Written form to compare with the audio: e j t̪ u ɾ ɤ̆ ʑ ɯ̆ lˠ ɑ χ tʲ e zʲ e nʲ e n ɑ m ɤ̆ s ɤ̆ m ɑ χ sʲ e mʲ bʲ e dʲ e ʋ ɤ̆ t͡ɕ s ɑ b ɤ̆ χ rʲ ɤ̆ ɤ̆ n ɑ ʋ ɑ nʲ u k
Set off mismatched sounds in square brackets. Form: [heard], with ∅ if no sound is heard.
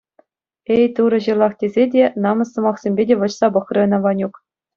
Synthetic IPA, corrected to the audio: e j t̪ u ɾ ɤ̆ ʑ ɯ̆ lˠ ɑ χ tʲ e zʲ e [dʲ] e n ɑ m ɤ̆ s ɤ̆ m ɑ χ sʲ e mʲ bʲ e dʲ e ʋ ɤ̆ t͡ɕ s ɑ b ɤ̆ χ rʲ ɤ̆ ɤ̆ n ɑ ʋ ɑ nʲ u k